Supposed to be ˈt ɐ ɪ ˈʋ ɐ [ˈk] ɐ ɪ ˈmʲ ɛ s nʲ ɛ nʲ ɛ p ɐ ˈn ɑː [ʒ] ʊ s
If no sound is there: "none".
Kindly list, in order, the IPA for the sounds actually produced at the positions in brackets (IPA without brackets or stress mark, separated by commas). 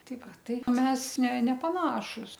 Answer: t, ʃ